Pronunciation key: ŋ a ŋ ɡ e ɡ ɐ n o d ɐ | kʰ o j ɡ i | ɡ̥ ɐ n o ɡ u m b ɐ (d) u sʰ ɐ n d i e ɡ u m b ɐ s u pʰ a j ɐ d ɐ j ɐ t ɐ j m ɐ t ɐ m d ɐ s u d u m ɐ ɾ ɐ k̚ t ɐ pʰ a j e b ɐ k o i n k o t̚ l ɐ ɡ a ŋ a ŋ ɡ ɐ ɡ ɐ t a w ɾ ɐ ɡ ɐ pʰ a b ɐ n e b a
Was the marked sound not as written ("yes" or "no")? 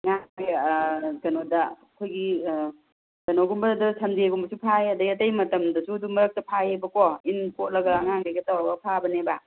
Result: no